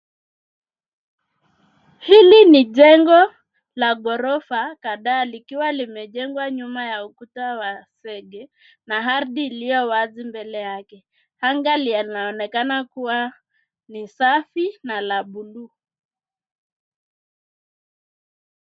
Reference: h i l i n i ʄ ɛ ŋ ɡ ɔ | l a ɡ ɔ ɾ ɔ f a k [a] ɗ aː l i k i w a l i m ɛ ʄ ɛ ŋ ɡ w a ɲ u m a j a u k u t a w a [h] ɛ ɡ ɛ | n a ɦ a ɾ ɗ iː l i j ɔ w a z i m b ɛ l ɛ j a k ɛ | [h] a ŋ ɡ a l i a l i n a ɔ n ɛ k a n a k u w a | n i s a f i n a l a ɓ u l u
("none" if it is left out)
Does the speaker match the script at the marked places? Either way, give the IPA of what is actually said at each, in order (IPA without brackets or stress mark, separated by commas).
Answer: a, s, h